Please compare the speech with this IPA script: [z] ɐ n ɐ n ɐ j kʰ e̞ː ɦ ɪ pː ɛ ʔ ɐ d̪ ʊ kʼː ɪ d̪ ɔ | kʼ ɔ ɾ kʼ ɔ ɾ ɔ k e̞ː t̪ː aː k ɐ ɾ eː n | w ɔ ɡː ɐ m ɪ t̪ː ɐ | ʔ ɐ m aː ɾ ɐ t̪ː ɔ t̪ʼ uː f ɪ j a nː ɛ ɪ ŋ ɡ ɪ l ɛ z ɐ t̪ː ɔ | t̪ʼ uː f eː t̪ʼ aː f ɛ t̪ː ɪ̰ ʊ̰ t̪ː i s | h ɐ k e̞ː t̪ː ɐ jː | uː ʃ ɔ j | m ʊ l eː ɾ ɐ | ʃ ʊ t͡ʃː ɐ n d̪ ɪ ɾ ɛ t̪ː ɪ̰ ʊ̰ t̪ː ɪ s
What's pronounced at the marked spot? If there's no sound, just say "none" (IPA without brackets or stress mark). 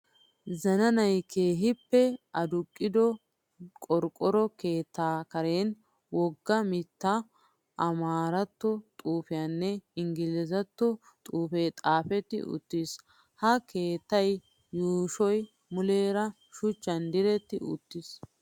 z